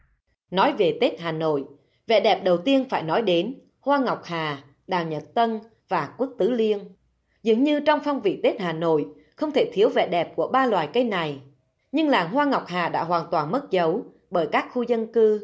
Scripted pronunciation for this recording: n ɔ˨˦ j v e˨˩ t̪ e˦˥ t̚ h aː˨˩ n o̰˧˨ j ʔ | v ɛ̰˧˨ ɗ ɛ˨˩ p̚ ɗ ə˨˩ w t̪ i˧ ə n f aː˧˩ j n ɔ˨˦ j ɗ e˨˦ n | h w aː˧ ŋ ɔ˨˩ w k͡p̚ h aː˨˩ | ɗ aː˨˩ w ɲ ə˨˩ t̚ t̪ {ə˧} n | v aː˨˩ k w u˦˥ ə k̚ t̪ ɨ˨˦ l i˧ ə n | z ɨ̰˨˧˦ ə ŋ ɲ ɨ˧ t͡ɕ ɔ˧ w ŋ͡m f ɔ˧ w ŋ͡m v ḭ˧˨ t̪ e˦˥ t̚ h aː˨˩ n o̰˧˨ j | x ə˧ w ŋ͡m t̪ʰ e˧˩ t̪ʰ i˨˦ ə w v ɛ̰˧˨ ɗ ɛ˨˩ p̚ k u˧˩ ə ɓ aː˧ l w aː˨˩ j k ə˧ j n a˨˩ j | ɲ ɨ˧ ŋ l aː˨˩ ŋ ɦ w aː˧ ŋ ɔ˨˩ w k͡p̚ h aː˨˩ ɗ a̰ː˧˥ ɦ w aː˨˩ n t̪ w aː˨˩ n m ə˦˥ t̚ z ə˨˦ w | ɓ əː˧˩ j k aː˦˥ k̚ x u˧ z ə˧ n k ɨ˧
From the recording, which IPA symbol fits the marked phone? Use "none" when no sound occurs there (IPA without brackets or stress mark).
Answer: ə˧